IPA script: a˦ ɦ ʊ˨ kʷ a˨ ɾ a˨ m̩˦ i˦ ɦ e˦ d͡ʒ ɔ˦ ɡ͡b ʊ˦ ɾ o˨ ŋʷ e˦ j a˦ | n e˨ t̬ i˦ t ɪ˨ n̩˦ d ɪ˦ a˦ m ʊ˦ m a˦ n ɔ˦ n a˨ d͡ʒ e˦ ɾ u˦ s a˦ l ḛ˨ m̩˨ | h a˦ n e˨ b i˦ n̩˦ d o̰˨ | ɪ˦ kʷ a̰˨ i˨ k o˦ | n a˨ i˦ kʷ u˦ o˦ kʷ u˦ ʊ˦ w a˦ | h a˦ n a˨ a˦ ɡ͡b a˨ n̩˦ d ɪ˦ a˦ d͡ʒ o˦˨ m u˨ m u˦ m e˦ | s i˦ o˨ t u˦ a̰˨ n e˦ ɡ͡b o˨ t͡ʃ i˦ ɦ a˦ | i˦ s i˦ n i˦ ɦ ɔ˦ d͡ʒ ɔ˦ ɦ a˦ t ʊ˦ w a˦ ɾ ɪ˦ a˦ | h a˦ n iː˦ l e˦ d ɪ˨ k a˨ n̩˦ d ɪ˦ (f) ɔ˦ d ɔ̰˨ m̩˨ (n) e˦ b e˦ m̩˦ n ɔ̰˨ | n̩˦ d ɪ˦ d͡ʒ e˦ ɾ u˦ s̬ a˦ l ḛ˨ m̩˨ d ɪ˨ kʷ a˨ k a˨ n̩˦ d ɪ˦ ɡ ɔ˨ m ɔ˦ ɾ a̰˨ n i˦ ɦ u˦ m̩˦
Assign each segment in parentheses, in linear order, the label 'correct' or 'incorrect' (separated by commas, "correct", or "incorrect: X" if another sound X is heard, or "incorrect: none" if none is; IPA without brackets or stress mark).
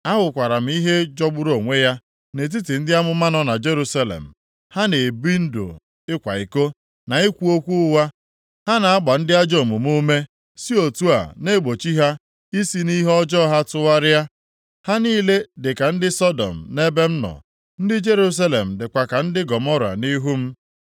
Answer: incorrect: s, correct